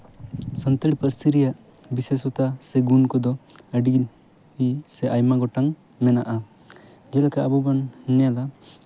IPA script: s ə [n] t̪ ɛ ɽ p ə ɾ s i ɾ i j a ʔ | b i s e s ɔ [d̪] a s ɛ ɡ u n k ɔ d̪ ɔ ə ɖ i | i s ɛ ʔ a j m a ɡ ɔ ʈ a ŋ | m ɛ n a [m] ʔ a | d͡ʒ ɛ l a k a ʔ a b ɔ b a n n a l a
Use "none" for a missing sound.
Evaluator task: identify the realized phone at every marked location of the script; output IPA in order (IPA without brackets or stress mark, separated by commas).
n, t̪, none